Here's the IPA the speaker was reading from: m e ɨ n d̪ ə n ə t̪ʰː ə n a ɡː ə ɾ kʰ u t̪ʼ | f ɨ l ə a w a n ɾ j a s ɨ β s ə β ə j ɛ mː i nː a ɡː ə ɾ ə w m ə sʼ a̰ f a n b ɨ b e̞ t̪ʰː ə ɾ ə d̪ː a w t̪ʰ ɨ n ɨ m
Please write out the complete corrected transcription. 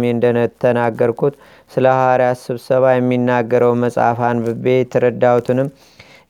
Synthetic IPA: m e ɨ n d̪ ə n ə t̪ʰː ə n a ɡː ə ɾ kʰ u t̪ | s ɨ l ə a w a ɾ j a s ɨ β s ə β a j ɛ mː i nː a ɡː ə ɾ ə w m ə sʼ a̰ f a n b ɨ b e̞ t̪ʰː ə ɾ ə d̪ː a w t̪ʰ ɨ n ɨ m